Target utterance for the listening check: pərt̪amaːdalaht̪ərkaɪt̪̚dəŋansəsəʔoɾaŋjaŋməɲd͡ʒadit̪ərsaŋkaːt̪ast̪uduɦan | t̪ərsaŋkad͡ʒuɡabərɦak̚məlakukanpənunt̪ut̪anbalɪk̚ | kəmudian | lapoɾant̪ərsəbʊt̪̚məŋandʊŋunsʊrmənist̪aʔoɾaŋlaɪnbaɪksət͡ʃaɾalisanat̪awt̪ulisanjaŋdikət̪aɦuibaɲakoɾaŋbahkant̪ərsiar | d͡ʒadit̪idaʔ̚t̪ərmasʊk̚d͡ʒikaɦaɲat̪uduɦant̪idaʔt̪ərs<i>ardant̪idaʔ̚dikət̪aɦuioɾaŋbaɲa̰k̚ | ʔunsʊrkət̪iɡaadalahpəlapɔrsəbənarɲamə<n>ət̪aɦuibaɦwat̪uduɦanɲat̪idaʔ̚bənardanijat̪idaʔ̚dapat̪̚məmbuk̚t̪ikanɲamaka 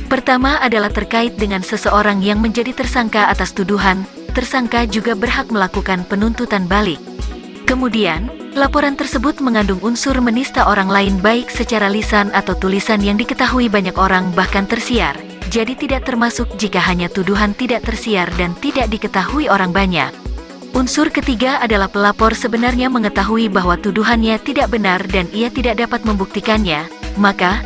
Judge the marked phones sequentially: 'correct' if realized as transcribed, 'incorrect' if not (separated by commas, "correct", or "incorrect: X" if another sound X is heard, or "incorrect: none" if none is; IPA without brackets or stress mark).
correct, incorrect: ŋ